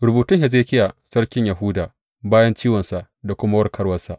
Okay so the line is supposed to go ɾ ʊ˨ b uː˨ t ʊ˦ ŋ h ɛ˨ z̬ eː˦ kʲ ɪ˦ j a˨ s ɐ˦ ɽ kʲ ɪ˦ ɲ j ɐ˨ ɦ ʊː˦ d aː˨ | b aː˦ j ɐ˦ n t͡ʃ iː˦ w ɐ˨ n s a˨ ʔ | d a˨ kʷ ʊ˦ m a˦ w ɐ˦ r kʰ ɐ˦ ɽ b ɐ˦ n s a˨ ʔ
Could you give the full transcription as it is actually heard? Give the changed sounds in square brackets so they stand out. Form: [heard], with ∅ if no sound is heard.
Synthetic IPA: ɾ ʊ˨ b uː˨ t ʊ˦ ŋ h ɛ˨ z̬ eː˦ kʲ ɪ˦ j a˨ s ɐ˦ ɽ kʲ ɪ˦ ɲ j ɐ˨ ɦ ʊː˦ d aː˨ | b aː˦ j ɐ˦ n t͡ʃ iː˦ w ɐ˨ n s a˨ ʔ | d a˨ kʷ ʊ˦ m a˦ w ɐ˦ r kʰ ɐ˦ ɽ [w] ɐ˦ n s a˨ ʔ